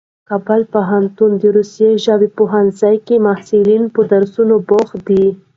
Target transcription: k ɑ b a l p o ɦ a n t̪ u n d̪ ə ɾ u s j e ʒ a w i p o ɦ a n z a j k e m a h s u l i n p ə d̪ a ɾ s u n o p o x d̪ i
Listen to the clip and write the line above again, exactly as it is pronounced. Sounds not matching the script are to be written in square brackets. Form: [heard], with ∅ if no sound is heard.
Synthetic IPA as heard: k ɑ b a l p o ɦ a n t̪ u n d̪ ə ɾ u s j e ʒ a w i p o ɦ a n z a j k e m a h s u l i n p ə d̪ a ɾ s u n o [b] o x d̪ i